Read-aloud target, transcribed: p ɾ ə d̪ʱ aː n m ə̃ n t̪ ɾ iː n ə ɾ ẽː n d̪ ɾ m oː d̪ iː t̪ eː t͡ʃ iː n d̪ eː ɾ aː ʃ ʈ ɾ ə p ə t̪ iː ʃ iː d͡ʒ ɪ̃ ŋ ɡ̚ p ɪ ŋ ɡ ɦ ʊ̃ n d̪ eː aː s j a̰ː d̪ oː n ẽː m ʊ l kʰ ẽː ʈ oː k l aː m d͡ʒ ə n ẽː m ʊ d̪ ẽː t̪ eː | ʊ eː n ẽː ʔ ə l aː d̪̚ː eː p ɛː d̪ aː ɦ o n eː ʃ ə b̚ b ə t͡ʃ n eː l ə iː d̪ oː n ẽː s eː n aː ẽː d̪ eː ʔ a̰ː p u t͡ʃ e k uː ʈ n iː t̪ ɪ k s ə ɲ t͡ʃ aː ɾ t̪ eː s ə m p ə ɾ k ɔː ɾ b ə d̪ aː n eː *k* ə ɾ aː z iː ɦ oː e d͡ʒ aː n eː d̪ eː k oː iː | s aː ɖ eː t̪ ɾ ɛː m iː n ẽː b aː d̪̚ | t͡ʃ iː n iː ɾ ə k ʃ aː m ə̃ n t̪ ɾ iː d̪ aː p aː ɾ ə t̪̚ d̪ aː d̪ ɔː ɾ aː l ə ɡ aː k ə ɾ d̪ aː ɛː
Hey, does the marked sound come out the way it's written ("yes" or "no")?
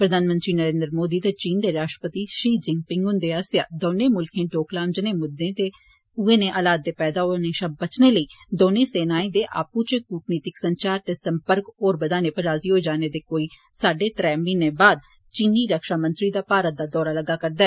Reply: no